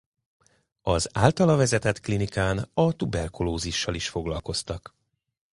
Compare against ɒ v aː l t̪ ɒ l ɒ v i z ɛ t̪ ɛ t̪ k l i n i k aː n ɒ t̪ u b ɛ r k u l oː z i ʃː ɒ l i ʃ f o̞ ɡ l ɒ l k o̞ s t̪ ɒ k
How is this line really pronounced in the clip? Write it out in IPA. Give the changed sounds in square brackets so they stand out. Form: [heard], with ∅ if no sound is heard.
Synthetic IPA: ɒ [z] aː l t̪ ɒ l ɒ v [ɛ] z ɛ t̪ ɛ t̪ k l i n i k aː n ɒ t̪ u b ɛ r k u l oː z i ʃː ɒ l i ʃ f o̞ ɡ l ɒ l k o̞ s t̪ ɒ k